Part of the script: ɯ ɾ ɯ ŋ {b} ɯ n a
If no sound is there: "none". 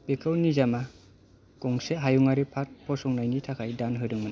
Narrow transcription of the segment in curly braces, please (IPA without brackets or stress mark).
m